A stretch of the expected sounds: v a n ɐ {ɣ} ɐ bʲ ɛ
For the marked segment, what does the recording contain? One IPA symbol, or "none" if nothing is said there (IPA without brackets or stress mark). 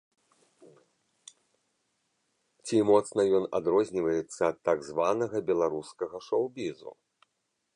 ɣ